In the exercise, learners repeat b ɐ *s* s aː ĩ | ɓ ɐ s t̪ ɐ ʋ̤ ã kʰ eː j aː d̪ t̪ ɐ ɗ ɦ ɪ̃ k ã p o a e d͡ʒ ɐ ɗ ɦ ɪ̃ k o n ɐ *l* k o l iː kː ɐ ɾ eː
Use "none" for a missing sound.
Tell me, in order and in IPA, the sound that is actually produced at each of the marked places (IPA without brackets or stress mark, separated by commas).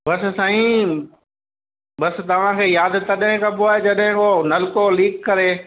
s, l